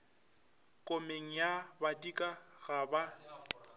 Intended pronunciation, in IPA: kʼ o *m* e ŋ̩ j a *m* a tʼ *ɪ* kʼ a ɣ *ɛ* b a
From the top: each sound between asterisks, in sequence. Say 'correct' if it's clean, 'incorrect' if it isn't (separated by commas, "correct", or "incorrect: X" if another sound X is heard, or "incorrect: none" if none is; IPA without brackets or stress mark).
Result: correct, incorrect: b, incorrect: i, incorrect: a